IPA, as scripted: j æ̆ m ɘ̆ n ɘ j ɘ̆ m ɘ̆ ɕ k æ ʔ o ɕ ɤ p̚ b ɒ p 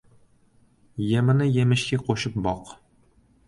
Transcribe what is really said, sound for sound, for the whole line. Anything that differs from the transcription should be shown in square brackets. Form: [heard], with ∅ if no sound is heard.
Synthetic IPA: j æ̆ m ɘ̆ n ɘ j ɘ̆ m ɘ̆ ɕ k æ [q] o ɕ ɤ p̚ b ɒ [q]